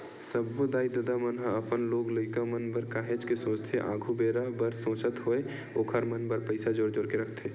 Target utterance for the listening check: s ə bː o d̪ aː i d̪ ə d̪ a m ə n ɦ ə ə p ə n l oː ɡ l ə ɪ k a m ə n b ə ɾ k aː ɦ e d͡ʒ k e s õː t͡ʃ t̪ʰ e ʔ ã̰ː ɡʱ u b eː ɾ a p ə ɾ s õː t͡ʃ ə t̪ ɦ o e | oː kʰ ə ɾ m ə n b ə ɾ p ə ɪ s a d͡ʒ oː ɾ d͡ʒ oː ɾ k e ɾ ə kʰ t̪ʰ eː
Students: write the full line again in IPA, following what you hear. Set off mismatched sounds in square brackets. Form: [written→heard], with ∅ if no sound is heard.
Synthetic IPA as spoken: s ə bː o d̪ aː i d̪ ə d̪ a m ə n ɦ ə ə p ə n l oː ɡ l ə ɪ k a m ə n b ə ɾ k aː ɦ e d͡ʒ k e s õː t͡ʃ t̪ʰ e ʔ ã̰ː ɡʱ u b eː ɾ a [p→b] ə ɾ s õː t͡ʃ ə t̪ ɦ o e | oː kʰ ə ɾ m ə n b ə ɾ p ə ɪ s a d͡ʒ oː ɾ d͡ʒ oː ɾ k e ɾ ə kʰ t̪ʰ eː